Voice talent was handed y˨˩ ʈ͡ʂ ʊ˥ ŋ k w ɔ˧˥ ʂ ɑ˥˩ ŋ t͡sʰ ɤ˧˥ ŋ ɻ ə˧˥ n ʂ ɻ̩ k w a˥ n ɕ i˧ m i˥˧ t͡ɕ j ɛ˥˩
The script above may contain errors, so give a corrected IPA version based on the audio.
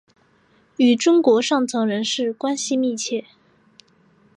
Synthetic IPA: y˨˩ ʈ͡ʂ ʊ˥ ŋ k w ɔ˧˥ ʂ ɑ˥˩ ŋ t͡sʰ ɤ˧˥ ŋ ɻ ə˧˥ n ʂ ɻ̩ k w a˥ n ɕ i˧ m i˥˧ t͡ɕʰ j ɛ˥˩